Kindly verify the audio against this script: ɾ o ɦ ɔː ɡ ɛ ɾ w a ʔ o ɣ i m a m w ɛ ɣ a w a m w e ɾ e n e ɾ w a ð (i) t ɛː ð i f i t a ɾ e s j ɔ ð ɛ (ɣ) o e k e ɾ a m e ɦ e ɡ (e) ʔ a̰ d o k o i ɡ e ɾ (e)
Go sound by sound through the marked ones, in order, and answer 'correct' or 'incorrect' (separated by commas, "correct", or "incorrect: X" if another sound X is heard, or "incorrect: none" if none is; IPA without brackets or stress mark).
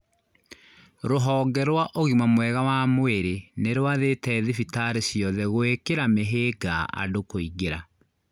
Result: incorrect: e, correct, incorrect: a, incorrect: a